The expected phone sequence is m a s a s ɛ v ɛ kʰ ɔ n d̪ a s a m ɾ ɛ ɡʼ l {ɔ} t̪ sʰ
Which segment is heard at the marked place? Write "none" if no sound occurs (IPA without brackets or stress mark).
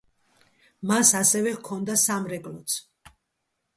ɔ